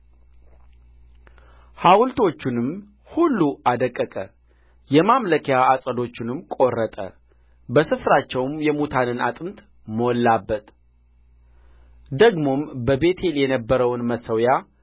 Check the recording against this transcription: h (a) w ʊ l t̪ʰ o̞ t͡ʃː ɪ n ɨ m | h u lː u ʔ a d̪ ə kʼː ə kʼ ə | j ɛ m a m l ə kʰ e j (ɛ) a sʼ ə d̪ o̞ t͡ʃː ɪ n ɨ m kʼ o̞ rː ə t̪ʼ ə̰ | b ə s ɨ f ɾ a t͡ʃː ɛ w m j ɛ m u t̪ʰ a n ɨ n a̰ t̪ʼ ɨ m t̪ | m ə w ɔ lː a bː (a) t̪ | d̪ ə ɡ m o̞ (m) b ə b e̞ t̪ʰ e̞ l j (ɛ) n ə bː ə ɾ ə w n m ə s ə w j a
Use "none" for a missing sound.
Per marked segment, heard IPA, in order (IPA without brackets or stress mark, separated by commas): a, a, ə, m, ɛ